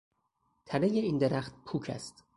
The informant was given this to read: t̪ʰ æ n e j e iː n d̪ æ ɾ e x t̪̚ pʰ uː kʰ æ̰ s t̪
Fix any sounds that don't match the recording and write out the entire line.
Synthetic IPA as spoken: t̪ʰ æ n e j e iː n d̪ e ɾ æ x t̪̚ pʰ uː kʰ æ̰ s t̪

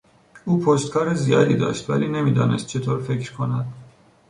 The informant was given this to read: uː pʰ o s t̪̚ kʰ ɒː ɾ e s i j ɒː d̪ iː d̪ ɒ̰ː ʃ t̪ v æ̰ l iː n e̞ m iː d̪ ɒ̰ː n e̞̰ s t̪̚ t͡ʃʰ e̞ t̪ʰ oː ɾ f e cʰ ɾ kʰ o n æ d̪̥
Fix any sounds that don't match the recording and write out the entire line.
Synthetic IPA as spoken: uː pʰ o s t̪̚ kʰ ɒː ɾ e z i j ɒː d̪ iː d̪ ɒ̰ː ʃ t̪ v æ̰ l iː n e̞ m iː d̪ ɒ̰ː n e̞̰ s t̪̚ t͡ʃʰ e̞ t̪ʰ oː ɾ f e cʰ ɾ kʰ o n æ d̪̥

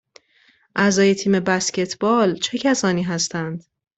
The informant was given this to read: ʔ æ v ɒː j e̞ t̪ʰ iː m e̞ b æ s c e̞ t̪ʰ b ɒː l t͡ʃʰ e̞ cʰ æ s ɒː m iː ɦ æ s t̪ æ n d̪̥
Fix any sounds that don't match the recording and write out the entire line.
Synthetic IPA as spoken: ʔ æ z ɒː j e̞ t̪ʰ iː m e̞ b æ s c e̞ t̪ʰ b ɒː l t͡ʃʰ e̞ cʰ æ s ɒː n iː ɦ æ s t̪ æ n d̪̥

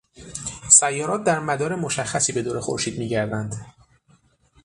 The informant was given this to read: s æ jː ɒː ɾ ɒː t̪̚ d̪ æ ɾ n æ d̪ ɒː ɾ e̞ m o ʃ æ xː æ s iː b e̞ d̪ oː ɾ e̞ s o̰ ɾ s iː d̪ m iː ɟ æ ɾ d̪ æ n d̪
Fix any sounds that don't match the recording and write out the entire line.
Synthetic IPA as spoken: s æ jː ɒː ɾ ɒː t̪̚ d̪ æ ɾ m æ d̪ ɒː ɾ e̞ m o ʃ æ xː æ s iː b e̞ d̪ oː ɾ e̞ x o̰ ɾ ʃ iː d̪ m iː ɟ æ ɾ d̪ æ n d̪

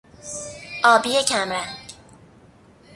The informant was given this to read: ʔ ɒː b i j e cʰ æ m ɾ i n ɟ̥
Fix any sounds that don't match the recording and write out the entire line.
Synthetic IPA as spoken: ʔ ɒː b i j e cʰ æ m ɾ æ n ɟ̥

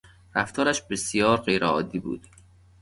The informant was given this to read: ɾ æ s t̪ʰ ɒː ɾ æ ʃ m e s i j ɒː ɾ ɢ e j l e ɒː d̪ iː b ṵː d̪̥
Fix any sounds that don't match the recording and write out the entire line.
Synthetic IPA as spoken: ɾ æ f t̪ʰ ɒː ɾ æ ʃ b e s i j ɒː ɾ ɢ e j ɾ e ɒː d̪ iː b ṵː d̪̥

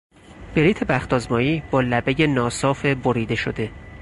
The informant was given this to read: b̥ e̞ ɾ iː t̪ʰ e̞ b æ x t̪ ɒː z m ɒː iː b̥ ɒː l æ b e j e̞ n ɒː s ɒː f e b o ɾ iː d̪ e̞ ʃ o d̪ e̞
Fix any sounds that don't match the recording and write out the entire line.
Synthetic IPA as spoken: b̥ e̞ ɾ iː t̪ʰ e̞ b æ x t̪ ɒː z m ɒː iː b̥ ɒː l æ b e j e̞ n ɒː s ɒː f e b o ɾ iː d̪ e̞ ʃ o d̪ e̞

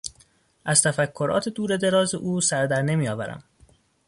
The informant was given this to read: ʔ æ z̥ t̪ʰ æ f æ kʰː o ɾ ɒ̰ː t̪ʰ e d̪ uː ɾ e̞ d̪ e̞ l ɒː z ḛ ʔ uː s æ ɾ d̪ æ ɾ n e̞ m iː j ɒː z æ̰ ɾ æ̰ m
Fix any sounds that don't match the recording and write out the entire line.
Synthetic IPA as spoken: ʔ æ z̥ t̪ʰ æ f æ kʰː o ɾ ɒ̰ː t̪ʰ e d̪ uː ɾ e̞ d̪ e̞ ɾ ɒː z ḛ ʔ uː s æ ɾ d̪ æ ɾ n e̞ m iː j ɒː v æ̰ ɾ æ̰ m

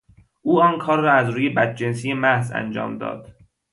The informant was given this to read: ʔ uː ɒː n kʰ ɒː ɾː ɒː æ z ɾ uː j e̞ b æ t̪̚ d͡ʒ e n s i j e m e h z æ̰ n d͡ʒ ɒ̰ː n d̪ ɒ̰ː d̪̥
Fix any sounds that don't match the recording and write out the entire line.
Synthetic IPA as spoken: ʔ uː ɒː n kʰ ɒː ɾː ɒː æ z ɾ uː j e̞ b æ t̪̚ d͡ʒ e n s i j e m æ h z æ̰ n d͡ʒ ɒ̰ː m d̪ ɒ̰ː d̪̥

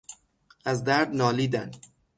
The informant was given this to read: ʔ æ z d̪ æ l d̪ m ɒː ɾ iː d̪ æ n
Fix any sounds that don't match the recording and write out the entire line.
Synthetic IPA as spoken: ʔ æ z d̪ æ ɾ d̪ n ɒː l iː d̪ æ n

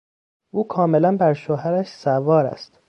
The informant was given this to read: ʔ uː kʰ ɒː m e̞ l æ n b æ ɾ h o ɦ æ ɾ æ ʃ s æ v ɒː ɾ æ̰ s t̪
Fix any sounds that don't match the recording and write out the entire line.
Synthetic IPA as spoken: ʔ uː kʰ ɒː m e̞ l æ n b æ ɾ ʃ o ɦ æ ɾ æ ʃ s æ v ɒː ɾ æ̰ s t̪

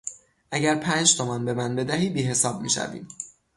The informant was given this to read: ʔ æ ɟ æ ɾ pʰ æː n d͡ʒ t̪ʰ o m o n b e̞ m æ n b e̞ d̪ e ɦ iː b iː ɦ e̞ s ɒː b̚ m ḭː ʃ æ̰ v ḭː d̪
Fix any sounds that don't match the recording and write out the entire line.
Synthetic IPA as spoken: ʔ æ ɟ æ ɾ pʰ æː n d͡ʒ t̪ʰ o m ɒ n b e̞ m æ n b e̞ d̪ æ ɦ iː b iː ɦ e̞ s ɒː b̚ m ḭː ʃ æ̰ v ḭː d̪

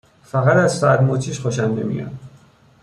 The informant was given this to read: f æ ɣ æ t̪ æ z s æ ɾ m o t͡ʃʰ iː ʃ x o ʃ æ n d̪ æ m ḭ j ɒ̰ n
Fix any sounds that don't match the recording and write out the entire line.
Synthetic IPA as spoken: f æ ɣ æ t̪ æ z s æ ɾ m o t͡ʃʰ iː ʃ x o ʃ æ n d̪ e m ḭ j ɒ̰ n

